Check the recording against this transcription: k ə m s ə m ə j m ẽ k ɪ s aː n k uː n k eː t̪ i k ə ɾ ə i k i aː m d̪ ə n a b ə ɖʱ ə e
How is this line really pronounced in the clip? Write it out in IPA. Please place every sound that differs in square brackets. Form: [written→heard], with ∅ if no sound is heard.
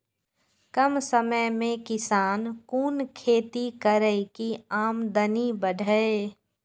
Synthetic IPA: k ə m s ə m ə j m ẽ k ɪ s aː n k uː n [k→kʰ] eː t̪ i k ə ɾ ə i k i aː m d̪ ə n [a→i] b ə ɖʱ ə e